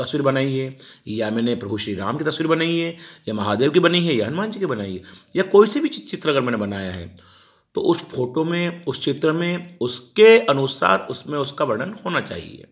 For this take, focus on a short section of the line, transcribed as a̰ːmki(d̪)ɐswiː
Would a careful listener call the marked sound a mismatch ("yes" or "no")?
yes